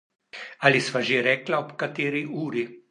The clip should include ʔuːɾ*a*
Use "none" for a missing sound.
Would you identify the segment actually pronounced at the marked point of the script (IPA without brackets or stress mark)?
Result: i